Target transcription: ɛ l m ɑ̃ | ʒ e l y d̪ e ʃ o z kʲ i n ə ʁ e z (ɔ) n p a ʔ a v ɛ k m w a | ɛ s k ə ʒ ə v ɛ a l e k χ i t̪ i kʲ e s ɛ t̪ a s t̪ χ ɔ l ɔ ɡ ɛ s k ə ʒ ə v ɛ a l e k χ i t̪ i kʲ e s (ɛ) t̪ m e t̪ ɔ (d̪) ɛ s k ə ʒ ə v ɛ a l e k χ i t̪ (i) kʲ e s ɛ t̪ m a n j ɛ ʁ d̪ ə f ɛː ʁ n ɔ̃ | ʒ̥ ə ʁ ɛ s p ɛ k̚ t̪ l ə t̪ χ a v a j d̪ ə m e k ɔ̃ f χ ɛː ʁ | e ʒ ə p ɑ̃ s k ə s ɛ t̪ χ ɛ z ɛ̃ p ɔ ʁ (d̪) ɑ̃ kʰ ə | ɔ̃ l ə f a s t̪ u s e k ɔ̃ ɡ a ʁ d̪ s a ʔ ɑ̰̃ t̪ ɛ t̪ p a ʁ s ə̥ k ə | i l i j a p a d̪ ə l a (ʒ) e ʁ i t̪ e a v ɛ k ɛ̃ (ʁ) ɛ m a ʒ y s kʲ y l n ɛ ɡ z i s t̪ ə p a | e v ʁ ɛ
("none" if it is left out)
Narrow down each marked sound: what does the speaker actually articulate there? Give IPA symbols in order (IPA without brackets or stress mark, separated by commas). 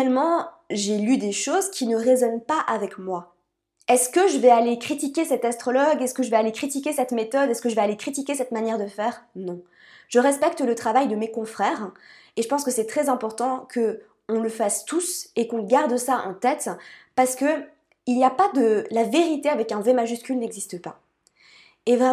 ɔ, ɛ, d̪, i, t̪, v, v